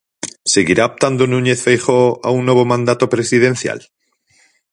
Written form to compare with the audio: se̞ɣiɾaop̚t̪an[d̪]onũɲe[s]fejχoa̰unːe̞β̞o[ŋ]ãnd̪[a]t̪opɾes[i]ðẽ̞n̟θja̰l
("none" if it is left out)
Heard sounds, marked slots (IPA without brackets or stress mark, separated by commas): d̪, θ, m, a, i